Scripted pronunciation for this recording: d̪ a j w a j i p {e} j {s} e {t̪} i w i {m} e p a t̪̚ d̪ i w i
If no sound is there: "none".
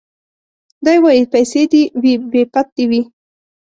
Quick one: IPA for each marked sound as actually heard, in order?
a, s, d̪, b

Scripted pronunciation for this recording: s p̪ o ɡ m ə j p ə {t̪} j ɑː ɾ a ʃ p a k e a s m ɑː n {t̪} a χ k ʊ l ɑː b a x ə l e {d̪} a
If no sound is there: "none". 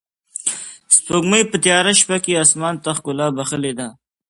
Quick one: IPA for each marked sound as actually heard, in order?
t̪, t̪, d̪

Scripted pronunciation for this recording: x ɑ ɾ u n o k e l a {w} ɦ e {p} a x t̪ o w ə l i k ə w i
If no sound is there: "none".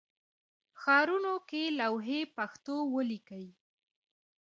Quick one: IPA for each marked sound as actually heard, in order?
w, p

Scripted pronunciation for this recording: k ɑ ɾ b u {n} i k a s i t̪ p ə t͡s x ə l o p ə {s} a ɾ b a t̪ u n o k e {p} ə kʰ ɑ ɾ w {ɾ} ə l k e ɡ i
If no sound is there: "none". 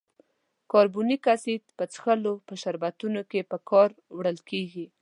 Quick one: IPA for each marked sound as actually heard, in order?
n, ʃ, p, ɽ

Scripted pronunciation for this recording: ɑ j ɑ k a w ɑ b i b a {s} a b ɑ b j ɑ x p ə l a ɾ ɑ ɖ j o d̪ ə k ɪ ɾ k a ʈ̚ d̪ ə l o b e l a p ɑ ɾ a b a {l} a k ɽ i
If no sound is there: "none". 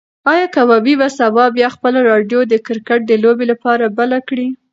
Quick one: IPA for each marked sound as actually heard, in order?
s, l

